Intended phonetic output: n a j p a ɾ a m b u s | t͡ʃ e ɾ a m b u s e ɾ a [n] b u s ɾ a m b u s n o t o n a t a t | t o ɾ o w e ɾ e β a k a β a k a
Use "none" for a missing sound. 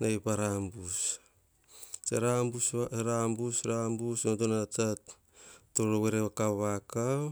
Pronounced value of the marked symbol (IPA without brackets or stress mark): m